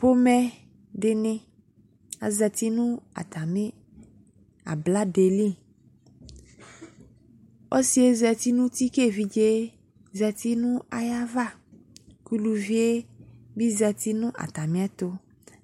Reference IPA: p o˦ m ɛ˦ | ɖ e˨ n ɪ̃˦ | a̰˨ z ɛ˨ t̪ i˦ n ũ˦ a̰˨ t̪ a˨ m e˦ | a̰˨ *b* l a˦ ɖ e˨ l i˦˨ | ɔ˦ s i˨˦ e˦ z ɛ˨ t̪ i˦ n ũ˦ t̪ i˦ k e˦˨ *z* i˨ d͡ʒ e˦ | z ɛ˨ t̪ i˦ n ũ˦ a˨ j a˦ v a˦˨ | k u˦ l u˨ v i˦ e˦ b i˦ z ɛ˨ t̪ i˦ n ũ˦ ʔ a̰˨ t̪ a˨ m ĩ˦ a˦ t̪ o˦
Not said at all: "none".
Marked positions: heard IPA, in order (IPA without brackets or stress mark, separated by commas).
b, v